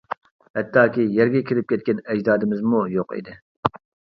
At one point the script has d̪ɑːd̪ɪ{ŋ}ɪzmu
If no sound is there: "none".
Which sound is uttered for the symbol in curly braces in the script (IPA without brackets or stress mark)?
m